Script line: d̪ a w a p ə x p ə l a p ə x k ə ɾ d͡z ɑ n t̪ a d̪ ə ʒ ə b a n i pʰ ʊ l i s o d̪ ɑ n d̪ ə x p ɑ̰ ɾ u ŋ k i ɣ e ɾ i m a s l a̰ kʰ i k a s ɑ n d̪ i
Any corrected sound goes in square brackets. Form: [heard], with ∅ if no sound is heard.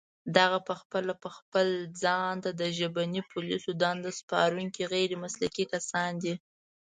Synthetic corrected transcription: d̪ a [ɣ] a p ə x p ə l a p ə x [p] ə [l] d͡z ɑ n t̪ a d̪ ə ʒ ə b a n i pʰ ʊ l i s o d̪ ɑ n d̪ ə [s] p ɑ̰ ɾ u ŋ k i ɣ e ɾ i m a s l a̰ [k] i k a s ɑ n d̪ i